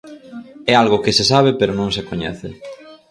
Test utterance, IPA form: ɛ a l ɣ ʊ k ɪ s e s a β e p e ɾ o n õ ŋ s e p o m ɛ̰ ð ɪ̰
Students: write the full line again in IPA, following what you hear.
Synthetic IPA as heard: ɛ a l ɣ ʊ k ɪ s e s a β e p e ɾ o n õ ŋ s e k o ɲ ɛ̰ θ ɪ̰